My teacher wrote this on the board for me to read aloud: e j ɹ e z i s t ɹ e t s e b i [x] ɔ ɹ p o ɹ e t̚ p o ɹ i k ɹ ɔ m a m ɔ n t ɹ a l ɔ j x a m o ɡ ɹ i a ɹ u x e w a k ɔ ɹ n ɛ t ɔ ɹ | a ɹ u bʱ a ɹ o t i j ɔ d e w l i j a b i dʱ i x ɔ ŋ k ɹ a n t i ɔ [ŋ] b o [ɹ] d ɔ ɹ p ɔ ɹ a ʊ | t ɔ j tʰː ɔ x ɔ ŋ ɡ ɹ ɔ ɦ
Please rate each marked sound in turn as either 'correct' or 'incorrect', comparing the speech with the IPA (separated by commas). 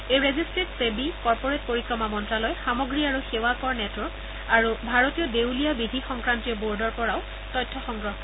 incorrect, incorrect, correct